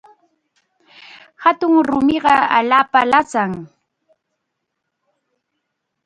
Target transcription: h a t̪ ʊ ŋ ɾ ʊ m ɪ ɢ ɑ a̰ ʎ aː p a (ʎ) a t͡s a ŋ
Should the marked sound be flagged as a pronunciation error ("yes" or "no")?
yes